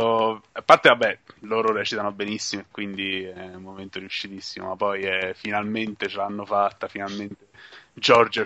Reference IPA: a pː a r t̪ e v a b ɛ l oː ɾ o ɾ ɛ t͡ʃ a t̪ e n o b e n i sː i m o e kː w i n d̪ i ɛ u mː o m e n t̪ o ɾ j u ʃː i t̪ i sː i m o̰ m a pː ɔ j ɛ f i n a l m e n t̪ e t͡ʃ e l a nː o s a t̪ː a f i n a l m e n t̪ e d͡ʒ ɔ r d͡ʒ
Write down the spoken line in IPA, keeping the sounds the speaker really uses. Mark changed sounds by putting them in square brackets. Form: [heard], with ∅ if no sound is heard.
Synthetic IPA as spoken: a pː a r t̪ e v a b ɛ l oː ɾ o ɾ ɛ t͡ʃ [i] t̪ [a] n o b e n i sː i m o e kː w i n d̪ i ɛ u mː o m e n t̪ o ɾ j u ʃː i t̪ i sː i m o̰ m a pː ɔ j ɛ f i n a l m e n t̪ e t͡ʃ e l a nː o [f] a t̪ː a f i n a l m e n t̪ e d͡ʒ ɔ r d͡ʒ